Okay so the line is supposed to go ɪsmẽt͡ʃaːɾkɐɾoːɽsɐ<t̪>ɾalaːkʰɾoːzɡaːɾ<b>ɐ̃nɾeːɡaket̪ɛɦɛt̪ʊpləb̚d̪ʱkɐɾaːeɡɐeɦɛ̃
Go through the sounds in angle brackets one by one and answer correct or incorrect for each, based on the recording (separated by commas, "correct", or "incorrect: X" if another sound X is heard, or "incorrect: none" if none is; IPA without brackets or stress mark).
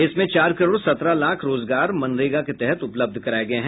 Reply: correct, incorrect: m